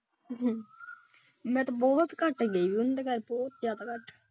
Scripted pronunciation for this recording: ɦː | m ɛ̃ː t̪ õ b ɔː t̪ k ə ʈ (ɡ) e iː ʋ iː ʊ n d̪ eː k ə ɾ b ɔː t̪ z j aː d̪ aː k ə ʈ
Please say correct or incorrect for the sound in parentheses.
correct